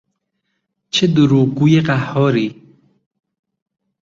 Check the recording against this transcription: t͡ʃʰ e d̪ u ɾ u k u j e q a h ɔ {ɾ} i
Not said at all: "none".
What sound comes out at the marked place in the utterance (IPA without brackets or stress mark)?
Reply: ɾ